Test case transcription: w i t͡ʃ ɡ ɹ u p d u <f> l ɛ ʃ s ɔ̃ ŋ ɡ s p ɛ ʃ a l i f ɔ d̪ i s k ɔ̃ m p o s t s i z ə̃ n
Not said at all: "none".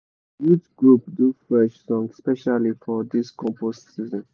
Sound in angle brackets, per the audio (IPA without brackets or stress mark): f